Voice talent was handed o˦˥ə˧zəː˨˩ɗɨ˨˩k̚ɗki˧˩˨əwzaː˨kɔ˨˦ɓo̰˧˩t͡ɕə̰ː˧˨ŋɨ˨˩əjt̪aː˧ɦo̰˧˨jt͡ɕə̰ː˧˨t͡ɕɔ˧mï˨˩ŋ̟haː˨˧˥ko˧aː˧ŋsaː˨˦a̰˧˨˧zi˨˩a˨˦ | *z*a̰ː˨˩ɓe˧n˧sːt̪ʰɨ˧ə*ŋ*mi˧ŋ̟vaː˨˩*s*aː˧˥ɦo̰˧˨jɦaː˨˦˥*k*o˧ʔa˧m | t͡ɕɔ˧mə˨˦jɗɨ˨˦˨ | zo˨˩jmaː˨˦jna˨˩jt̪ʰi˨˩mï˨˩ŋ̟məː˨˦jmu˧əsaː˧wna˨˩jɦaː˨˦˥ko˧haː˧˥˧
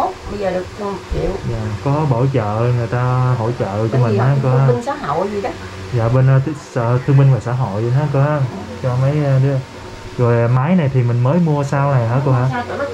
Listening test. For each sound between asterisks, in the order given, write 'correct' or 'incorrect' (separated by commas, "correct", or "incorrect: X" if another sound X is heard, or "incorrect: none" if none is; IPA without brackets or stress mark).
correct, correct, correct, correct